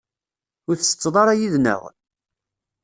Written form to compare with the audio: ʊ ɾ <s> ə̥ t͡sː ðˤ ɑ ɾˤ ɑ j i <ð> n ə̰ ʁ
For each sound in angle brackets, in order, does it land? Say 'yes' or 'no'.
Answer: no, yes

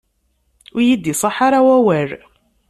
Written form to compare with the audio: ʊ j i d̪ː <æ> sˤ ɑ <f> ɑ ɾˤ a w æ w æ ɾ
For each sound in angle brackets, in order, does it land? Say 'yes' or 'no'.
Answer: no, no

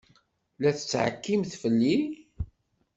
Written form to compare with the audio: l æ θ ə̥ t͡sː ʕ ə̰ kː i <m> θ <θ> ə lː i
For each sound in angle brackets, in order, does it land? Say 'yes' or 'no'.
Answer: yes, no

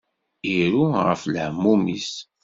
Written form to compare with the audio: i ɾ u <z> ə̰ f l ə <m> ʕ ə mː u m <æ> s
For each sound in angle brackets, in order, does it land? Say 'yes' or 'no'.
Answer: no, no, no

